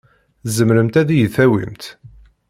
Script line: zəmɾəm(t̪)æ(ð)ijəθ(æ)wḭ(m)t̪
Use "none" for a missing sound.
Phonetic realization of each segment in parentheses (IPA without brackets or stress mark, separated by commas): t̪, ð, æ, m